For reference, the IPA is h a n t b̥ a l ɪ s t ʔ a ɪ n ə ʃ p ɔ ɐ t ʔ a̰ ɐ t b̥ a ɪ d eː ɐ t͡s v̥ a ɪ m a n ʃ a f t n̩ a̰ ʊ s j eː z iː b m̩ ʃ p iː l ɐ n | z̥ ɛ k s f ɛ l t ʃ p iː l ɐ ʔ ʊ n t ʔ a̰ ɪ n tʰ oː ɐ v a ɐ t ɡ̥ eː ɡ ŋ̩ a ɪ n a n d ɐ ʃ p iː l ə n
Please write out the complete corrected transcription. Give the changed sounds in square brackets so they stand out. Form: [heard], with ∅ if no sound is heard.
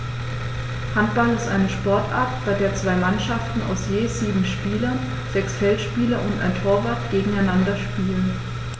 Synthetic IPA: h a n t b̥ a l ɪ s t ʔ a ɪ n ə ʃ p ɔ ɐ t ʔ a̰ ɐ t b̥ a ɪ d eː ɐ t͡s v̥ a ɪ m a n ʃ a f t n̩ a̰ ʊ s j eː z iː b m̩ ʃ p iː l ɐ n | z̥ ɛ k s f ɛ l t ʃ p iː l ɐ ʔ ʊ n t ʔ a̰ ɪ n tʰ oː ɐ v a ɐ t ɡ̥ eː ɡ ŋ̩ a ɪ n a n d ɐ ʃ p iː l ə n